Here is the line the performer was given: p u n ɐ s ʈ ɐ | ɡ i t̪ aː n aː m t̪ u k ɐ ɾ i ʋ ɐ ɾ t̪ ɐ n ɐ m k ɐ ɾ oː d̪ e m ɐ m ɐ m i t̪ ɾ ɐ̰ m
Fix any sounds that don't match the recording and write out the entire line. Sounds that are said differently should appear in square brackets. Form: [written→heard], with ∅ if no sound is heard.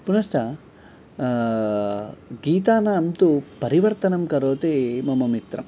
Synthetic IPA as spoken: p u n ɐ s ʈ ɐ | ɡ [i→iː] t̪ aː n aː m t̪ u [k→p] ɐ ɾ i ʋ ɐ ɾ t̪ ɐ n ɐ m k ɐ ɾ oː [d̪→t̪] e m ɐ m ɐ m i t̪ ɾ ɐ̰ m

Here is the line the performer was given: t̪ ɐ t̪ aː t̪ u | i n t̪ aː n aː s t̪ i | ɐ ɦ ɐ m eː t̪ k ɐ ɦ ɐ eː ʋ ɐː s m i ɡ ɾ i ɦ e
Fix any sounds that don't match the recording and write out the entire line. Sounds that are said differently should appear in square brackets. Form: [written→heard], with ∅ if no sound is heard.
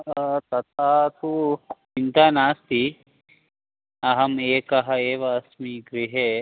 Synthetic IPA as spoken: t̪ ɐ t̪ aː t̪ u | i n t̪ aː n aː s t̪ i | ɐ ɦ ɐ m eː [t̪→∅] k ɐ ɦ ɐ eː ʋ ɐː s m i ɡ ɾ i ɦ e

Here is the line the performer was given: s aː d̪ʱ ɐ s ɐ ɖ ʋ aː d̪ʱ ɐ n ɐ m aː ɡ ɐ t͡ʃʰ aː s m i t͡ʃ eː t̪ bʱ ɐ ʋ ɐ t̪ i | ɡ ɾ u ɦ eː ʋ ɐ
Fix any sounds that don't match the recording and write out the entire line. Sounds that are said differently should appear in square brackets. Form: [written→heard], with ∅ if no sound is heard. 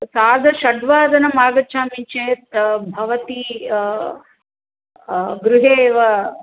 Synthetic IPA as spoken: s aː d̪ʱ ɐ [s→ʃ] ɐ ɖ ʋ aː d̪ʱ ɐ n ɐ m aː ɡ ɐ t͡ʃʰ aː [s→∅] m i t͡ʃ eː t̪ bʱ ɐ ʋ ɐ t̪ i | ɡ ɾ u ɦ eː ʋ ɐ

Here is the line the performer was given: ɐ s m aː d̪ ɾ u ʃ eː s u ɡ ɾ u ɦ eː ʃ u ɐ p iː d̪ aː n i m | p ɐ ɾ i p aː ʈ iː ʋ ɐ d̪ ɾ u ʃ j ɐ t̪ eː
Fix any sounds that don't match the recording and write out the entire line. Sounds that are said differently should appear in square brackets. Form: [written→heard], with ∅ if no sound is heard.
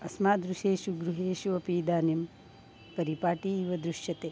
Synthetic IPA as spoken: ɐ s m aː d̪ ɾ u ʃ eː [s→ʃ] u ɡ ɾ u ɦ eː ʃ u ɐ p iː d̪ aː n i m | p ɐ ɾ i p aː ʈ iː ʋ ɐ d̪ ɾ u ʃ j ɐ t̪ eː

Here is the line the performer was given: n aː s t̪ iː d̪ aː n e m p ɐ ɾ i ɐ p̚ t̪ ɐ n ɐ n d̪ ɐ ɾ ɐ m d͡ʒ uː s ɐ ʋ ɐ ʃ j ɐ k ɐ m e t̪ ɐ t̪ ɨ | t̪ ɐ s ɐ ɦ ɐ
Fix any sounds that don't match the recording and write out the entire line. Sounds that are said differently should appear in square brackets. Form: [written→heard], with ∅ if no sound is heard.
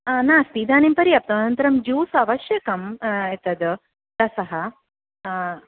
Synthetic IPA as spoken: n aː s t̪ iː d̪ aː n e m p ɐ ɾ i ɐ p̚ t̪ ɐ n ɐ n [d̪→t̪] ɐ ɾ ɐ m d͡ʒ uː s ɐ ʋ ɐ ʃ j ɐ k ɐ m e t̪ ɐ [t̪→d̪] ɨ | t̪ ɐ s ɐ ɦ ɐ

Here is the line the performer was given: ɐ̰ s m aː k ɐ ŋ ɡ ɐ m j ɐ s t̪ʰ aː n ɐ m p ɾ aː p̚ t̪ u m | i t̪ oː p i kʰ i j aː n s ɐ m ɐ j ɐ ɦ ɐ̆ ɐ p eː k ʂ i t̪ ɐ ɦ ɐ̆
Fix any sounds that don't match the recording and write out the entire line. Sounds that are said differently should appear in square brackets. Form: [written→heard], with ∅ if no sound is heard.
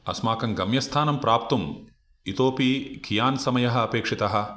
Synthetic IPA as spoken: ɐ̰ s m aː k ɐ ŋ ɡ ɐ m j ɐ s t̪ʰ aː n ɐ m p ɾ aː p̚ t̪ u m | i t̪ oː p i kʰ i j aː n s ɐ m ɐ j ɐ ɦ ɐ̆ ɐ p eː k ʂ i t̪ ɐ ɦ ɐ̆

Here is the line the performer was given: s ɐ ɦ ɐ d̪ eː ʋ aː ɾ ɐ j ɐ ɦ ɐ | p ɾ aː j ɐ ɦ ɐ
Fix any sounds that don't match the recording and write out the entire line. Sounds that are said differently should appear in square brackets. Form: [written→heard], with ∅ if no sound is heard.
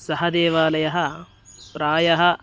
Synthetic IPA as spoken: s ɐ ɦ ɐ d̪ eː ʋ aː [ɾ→l] ɐ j ɐ ɦ ɐ | p ɾ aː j ɐ ɦ ɐ

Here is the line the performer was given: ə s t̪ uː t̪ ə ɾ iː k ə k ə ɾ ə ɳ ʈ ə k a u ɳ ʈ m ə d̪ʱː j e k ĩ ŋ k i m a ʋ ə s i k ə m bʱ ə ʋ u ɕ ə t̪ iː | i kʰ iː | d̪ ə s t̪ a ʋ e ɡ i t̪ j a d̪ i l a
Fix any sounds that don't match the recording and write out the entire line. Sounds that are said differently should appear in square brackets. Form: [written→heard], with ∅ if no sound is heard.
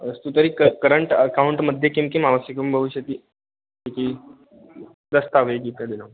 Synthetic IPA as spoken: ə s t̪ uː t̪ ə ɾ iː k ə k ə ɾ ə ɳ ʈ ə k a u ɳ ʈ m ə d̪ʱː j e k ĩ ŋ k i m a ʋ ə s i k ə m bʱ ə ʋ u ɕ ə t̪ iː | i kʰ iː | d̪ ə s t̪ a ʋ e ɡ i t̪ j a d̪ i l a

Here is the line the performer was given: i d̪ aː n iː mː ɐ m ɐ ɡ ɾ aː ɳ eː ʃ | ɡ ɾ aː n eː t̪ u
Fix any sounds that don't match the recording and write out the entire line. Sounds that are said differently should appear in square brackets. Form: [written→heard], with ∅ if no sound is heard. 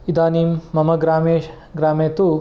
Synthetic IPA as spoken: i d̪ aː n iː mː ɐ m ɐ ɡ ɾ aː [ɳ→m] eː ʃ | ɡ ɾ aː [n→m] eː t̪ u

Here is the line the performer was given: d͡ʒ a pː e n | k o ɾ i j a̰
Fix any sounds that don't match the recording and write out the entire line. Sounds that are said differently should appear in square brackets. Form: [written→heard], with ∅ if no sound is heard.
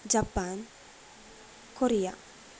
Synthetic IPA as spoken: d͡ʒ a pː [e→a] n | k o ɾ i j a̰

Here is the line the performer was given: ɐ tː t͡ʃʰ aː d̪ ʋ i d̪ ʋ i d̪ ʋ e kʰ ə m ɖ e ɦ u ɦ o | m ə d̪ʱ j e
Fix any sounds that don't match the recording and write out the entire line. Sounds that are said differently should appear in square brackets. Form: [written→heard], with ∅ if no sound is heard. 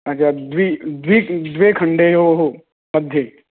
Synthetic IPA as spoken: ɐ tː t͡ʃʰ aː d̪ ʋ i d̪ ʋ i d̪ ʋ e kʰ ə [m→ɳ] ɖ e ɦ [u→o] ɦ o | m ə d̪ʱ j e

